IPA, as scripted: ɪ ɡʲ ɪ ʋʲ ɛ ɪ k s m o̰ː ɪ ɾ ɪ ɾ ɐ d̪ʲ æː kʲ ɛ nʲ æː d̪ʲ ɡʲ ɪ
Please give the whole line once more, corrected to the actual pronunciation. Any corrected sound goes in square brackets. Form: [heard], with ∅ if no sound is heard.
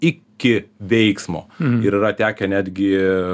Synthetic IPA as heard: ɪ [kʲ] ɪ ʋʲ ɛ ɪ k s m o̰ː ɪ ɾ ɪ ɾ ɐ [t̪ʲ] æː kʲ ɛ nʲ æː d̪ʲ ɡʲ ɪ